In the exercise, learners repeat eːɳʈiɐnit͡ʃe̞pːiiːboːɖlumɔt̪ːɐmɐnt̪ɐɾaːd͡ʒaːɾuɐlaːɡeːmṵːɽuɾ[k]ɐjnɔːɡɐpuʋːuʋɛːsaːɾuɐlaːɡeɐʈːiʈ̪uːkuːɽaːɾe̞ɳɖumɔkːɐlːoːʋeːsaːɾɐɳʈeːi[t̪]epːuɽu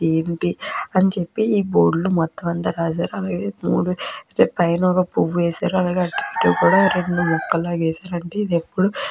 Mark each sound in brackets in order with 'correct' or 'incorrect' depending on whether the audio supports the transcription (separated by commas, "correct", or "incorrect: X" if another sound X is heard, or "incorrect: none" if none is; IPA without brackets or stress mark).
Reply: incorrect: p, incorrect: d̪